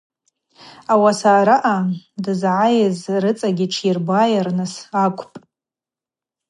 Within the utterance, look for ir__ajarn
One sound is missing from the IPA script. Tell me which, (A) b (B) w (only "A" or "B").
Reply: A